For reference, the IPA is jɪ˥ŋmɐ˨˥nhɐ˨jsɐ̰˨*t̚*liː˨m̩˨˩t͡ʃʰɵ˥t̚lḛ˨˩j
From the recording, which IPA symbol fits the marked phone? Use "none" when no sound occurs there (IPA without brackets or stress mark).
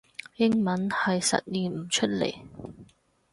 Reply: t̚